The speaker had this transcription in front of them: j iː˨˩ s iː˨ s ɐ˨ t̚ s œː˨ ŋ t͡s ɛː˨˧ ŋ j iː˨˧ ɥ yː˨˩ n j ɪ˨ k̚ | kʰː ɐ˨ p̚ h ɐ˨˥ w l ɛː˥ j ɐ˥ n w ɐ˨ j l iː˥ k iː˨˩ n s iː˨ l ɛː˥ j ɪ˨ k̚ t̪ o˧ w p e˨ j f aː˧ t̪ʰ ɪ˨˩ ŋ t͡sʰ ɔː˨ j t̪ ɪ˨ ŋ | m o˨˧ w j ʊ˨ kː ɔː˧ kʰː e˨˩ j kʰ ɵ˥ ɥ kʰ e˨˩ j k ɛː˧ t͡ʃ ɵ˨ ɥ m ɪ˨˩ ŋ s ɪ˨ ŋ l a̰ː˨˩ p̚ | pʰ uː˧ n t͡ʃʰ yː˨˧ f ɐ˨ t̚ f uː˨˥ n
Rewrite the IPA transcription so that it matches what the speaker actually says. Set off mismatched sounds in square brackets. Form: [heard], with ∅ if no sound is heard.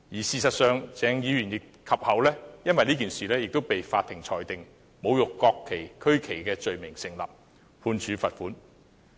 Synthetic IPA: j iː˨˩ s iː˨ s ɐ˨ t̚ s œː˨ ŋ t͡s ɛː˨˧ ŋ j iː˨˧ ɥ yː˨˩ n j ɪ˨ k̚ | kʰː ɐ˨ p̚ h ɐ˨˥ w l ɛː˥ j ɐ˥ n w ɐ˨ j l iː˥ k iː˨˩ n s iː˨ l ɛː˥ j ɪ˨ k̚ t̪ [o˥] w p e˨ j f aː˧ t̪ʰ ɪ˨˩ ŋ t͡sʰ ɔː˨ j t̪ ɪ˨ ŋ | m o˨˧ w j ʊ˨ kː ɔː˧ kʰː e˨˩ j kʰ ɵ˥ ɥ kʰ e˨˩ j k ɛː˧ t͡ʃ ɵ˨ ɥ m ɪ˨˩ ŋ s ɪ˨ ŋ l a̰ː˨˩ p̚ | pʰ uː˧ n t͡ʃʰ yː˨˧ f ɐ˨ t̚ f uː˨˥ n